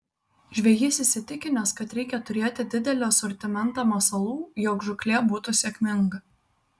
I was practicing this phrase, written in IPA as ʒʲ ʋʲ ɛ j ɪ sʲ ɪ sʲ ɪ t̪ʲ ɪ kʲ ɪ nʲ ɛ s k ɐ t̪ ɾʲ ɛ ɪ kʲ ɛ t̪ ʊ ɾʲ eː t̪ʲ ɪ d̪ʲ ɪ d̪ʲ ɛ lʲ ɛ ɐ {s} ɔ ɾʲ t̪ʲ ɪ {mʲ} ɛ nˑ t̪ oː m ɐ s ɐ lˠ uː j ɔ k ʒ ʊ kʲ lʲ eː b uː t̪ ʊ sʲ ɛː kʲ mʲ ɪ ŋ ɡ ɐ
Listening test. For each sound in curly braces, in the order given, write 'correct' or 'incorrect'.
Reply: correct, correct

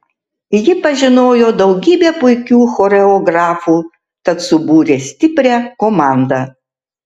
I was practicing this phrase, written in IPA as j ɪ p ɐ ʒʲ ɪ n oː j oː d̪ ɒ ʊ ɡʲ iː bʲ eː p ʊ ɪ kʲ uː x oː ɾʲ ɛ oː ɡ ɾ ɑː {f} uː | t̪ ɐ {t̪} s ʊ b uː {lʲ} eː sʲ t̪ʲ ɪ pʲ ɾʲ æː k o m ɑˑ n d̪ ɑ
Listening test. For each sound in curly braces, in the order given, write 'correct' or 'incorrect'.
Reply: correct, correct, incorrect: ɾʲ

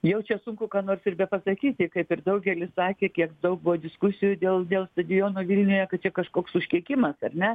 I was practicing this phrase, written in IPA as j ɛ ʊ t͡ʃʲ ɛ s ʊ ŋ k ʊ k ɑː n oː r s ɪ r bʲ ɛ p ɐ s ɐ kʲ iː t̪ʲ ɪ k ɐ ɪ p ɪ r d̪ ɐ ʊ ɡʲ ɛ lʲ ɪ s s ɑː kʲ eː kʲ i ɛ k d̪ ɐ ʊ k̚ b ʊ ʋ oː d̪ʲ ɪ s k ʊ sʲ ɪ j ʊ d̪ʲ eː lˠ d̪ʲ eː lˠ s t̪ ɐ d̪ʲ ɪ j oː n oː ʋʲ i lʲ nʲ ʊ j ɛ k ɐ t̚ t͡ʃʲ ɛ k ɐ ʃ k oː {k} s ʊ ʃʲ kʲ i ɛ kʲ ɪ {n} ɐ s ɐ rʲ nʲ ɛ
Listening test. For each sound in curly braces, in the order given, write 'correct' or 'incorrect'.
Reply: correct, incorrect: m

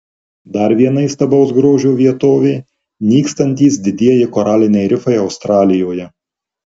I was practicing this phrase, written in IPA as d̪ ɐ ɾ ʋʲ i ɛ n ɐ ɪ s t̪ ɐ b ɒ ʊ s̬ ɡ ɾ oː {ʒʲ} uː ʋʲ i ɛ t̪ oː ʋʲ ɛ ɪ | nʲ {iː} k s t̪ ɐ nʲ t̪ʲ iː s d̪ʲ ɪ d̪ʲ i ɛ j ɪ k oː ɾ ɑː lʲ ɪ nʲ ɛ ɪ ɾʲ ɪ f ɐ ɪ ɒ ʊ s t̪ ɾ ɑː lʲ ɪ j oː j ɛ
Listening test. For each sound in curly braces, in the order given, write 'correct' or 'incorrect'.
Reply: correct, correct

